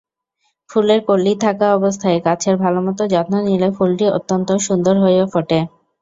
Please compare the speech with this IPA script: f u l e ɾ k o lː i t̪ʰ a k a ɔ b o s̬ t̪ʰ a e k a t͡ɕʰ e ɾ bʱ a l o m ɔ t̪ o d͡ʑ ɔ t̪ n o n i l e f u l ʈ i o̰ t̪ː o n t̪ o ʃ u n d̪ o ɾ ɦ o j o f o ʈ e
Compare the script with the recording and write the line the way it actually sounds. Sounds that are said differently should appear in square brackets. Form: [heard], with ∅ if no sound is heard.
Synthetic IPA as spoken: f u l e ɾ k o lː i t̪ʰ a k a ɔ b o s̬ t̪ʰ a e k a t͡ɕʰ e ɾ bʱ a l o m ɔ t̪ o d͡ʑ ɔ t̪ n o n i l e f u l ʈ i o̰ t̪ː o n t̪ o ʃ u n d̪ o ɾ ɦ o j o f o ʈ e